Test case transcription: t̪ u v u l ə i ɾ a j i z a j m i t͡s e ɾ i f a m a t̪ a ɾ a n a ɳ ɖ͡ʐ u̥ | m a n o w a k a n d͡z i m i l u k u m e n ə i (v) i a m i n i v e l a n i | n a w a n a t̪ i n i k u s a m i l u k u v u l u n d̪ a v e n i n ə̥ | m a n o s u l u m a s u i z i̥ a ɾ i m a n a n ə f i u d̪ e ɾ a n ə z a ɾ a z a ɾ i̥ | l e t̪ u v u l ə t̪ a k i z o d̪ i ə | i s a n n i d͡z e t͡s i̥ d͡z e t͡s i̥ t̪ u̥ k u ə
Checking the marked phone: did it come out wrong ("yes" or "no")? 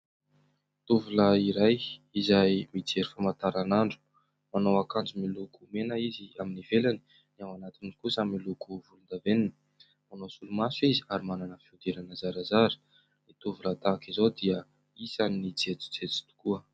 yes